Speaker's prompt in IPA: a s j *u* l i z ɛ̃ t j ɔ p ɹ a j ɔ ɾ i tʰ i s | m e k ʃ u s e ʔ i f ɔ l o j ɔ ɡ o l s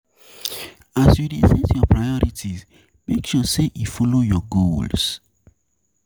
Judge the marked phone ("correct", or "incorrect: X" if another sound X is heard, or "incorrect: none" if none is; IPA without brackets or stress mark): correct